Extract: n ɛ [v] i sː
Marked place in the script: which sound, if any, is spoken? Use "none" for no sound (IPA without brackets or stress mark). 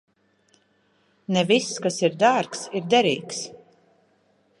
v